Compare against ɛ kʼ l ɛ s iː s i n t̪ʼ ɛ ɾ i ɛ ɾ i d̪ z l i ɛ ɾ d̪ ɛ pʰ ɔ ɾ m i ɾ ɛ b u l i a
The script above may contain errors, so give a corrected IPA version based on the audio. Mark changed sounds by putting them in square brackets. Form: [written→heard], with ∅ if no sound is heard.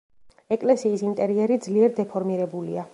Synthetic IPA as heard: ɛ kʼ l ɛ s iː s i n t̪ʼ ɛ ɾ i ɛ ɾ i d̪ z l i ɛ ɾ d̪ ɛ pʰ ɔ ɾ m i ɾ ɛ b u l i a